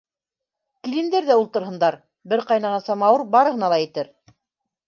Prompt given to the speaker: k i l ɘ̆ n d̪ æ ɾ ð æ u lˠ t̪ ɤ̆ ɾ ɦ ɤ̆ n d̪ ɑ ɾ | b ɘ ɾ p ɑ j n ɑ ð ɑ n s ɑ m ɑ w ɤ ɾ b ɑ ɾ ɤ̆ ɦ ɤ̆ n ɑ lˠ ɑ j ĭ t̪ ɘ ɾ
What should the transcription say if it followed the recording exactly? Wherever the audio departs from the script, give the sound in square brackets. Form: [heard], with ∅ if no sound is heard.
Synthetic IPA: k i l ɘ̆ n d̪ æ ɾ ð æ u lˠ t̪ ɤ̆ ɾ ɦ ɤ̆ n d̪ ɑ ɾ | b ɘ ɾ [q] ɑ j n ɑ [ʁ] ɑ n s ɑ m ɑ w ɤ ɾ b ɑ ɾ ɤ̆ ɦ ɤ̆ n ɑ lˠ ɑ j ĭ t̪ ɘ ɾ